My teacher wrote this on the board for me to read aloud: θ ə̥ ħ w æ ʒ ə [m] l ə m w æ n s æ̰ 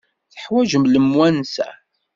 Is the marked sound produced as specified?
yes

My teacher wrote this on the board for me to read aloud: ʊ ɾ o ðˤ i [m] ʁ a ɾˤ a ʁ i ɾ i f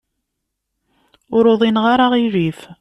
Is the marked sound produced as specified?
no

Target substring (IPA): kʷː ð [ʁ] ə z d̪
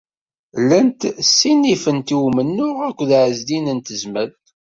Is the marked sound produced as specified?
no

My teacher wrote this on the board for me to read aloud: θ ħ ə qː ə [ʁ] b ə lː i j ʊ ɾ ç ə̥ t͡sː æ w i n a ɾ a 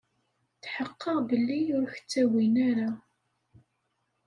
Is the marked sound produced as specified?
yes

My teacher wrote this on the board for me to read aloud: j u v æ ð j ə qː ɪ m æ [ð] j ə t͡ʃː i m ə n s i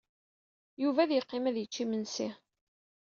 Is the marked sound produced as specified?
yes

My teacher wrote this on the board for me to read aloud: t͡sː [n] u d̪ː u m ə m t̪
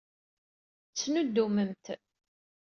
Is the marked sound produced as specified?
yes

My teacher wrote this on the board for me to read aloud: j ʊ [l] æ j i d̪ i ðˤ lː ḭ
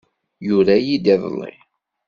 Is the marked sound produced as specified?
no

